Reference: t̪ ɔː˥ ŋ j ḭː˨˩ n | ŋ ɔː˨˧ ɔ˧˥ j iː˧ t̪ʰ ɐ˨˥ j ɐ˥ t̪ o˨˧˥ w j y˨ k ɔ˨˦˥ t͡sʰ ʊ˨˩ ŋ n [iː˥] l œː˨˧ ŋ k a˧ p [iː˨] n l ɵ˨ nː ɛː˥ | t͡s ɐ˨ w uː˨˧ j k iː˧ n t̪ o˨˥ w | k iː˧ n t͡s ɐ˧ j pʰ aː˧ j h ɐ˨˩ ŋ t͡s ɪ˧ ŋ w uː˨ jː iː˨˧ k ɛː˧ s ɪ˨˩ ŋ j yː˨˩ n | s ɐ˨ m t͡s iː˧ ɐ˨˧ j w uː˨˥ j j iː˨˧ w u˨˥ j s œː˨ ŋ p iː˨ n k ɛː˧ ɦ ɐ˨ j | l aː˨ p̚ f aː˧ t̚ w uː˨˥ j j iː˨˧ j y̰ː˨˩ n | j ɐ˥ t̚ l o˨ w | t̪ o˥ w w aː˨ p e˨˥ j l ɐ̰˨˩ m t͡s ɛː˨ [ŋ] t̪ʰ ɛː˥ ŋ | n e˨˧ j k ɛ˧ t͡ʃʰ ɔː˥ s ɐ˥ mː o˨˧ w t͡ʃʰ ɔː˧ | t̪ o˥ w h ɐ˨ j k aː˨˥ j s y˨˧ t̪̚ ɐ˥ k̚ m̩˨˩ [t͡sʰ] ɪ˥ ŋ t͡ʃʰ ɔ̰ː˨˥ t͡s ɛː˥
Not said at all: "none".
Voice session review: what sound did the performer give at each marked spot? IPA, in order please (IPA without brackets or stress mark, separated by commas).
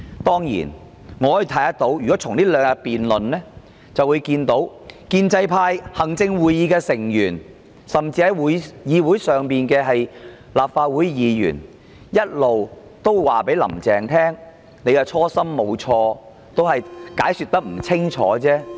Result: iː˥, iː˨, ŋ, t͡sʰ